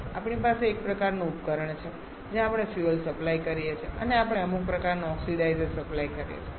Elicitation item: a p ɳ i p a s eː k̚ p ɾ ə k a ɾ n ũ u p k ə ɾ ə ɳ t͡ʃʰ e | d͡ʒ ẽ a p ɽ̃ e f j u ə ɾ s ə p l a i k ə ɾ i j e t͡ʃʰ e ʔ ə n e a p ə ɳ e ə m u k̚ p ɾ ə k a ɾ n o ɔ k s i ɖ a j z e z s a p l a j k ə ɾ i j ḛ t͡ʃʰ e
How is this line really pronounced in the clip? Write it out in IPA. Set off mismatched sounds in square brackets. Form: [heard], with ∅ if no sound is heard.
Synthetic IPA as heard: a p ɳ i p a s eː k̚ p ɾ ə k a ɾ n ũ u p k ə ɾ ə ɳ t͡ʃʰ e | d͡ʒ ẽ a p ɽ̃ e f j u ə [l] s ə p l a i k ə ɾ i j e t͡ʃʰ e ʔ ə n e a p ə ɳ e ə m u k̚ p ɾ ə k a ɾ n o ɔ k s i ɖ a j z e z s [ə] p l a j k ə ɾ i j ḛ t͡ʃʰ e

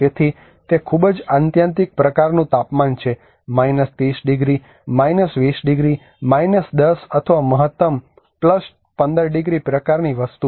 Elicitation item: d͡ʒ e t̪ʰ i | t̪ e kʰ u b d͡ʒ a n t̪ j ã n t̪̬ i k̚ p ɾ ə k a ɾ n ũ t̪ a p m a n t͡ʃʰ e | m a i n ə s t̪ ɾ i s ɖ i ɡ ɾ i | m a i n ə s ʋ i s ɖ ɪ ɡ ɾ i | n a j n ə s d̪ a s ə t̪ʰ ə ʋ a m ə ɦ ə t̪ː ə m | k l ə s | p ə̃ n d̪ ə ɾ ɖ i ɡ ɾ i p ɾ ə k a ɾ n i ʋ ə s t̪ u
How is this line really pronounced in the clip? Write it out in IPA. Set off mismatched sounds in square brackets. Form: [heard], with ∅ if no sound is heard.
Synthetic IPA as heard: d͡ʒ e t̪ʰ i | t̪ e kʰ u b d͡ʒ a n t̪ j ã n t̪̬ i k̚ p ɾ ə k a ɾ n ũ t̪ a p m a n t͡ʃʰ e | m a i n ə s t̪ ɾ i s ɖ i ɡ ɾ i | m a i n ə s ʋ i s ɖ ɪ ɡ ɾ i | [m] a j n ə s d̪ [ə] s ə t̪ʰ ə ʋ a m ə ɦ ə t̪ː ə m | [p] l ə s | p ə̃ n d̪ ə ɾ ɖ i ɡ ɾ i p ɾ ə k a ɾ n i ʋ ə s t̪ u

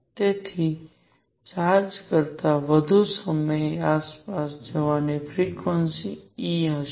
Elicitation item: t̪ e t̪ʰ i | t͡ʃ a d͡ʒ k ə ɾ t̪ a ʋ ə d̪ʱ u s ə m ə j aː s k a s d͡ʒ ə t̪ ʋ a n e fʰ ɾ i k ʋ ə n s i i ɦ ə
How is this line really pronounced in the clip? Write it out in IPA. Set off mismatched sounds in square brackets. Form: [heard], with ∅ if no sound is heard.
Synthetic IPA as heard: t̪ e t̪ʰ i | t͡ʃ a d͡ʒ k ə ɾ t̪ a ʋ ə d̪ʱ u s ə m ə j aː s [p] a s d͡ʒ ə [∅] ʋ a n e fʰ ɾ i k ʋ ə n s i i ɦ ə

